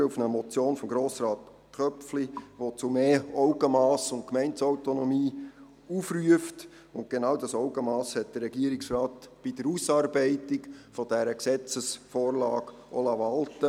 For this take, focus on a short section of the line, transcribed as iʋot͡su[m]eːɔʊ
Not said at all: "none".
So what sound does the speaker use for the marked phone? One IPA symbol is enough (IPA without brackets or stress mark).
m